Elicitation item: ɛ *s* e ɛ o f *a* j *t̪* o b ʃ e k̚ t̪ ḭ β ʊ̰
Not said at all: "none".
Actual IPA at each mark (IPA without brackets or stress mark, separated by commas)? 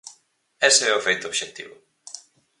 s, e, t̪